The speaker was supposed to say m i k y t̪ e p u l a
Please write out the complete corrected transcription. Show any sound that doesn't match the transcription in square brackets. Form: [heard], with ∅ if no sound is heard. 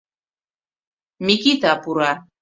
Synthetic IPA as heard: m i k [i] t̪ [a] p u [ɾ] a